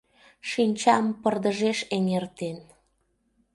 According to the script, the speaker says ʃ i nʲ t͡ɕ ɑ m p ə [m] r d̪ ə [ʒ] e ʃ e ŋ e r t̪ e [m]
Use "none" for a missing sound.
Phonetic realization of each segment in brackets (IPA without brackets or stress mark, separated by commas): none, ʒ, n